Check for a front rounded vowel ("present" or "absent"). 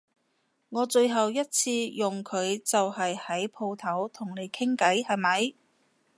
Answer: absent